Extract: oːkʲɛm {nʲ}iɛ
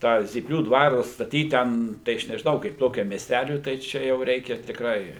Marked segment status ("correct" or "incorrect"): incorrect